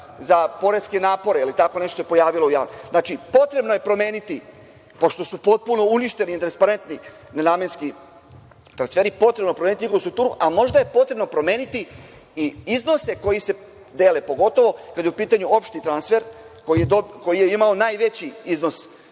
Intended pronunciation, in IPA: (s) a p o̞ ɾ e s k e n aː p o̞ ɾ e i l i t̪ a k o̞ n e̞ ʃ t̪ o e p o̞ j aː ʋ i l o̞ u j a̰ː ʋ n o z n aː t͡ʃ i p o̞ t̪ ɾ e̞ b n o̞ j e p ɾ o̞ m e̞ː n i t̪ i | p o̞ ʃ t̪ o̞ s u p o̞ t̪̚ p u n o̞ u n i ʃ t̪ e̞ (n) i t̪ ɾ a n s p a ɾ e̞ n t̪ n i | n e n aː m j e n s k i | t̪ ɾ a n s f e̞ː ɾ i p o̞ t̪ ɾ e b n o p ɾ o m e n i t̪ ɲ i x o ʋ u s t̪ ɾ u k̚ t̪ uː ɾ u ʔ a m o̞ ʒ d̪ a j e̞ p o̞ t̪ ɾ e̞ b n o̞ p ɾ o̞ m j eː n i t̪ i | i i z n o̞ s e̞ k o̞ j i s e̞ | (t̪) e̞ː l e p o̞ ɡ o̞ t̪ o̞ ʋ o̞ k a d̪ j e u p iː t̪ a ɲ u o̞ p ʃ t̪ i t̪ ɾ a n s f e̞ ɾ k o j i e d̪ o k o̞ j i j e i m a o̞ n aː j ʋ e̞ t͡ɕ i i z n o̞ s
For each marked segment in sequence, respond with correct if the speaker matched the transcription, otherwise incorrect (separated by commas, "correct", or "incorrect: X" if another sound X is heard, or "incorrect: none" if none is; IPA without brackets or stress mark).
incorrect: z, correct, incorrect: d̪